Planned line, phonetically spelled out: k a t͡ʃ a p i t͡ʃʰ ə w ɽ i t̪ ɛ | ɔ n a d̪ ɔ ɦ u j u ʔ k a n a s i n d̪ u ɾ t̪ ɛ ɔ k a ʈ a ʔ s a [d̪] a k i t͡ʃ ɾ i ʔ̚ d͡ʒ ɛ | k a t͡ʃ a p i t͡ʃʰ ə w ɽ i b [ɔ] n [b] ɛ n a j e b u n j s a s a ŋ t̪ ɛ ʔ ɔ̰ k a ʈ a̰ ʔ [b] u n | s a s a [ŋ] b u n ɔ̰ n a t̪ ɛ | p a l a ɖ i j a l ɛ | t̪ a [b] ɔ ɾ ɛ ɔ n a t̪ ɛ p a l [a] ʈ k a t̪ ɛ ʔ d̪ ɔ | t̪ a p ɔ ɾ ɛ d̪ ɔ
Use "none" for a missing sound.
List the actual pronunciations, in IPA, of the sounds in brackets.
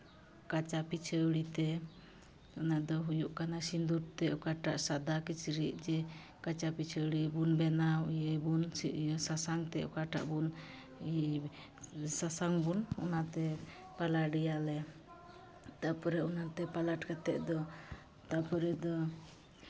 d̪, u, b, b, ŋ, p, a

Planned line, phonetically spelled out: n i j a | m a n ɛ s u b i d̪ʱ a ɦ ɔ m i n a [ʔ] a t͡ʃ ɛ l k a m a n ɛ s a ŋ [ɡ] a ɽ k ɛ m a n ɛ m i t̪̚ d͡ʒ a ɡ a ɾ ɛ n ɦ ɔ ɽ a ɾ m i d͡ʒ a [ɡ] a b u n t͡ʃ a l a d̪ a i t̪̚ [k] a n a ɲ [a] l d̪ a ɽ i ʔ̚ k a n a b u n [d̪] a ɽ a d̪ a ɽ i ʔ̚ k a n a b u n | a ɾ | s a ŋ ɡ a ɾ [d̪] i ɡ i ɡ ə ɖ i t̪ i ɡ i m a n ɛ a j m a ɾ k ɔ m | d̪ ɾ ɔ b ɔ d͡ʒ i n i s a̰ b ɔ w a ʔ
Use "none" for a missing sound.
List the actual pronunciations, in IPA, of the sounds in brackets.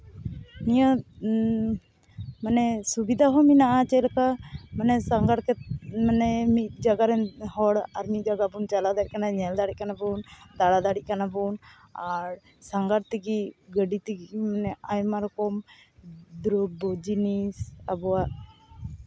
ʔ, ɡ, ɡ, k, ɛ, d̪, t̪

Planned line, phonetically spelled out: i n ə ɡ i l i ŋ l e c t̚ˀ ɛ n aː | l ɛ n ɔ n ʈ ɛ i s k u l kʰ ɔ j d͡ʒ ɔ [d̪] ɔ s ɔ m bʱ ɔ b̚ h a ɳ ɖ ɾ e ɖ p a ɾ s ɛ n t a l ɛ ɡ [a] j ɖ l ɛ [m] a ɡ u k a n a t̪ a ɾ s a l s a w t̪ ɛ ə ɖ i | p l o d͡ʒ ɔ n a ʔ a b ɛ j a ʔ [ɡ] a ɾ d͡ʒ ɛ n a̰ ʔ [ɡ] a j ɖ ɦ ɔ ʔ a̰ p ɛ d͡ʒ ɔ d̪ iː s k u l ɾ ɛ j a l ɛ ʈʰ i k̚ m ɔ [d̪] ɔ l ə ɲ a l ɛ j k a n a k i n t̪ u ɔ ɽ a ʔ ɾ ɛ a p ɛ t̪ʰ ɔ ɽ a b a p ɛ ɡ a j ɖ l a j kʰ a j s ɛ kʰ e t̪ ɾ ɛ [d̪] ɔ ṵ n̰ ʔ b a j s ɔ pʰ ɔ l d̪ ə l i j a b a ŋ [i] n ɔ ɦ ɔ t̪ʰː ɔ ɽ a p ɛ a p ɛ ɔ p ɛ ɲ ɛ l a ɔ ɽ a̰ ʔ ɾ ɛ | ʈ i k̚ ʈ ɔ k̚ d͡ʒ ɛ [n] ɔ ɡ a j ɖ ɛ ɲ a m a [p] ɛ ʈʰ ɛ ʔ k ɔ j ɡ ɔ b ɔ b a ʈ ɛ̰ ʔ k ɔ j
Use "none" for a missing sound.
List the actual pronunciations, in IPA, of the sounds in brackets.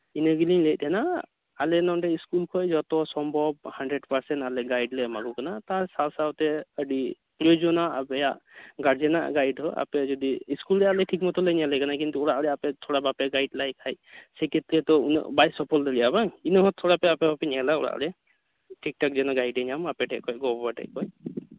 t̪, a, m, ɡ, ɡ, t̪, t̪, i, n, p

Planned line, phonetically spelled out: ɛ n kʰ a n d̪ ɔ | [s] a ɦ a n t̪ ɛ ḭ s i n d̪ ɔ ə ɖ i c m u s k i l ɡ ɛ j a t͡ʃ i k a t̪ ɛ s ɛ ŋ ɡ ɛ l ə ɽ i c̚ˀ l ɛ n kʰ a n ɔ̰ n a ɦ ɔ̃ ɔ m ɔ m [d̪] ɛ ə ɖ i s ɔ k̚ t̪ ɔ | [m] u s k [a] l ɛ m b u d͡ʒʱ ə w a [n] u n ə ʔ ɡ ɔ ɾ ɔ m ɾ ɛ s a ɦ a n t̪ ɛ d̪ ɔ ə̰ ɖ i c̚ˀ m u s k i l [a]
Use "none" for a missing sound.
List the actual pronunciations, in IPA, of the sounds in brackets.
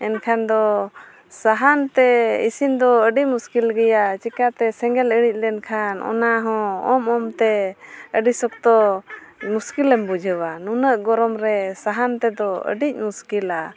s, t̪, m, i, n, a

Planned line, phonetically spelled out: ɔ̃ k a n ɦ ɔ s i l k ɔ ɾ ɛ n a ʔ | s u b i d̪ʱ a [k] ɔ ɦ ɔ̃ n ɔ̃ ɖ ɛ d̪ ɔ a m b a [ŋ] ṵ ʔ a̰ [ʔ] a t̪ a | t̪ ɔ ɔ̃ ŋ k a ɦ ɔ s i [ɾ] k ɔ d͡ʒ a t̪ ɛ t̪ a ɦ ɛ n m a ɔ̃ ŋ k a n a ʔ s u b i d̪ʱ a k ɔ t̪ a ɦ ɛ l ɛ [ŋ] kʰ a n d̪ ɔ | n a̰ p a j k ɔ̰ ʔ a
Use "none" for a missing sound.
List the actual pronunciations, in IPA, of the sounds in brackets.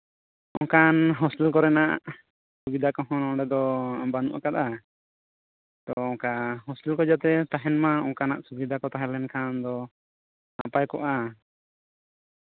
k, n, k, l, n

